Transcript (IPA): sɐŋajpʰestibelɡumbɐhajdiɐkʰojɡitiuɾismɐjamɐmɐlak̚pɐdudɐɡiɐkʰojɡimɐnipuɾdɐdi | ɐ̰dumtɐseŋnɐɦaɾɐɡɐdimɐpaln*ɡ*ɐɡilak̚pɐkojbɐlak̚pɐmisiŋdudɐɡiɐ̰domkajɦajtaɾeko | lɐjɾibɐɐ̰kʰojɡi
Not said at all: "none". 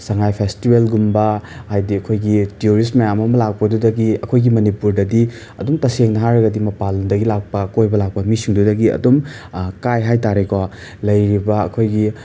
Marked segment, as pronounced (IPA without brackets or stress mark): d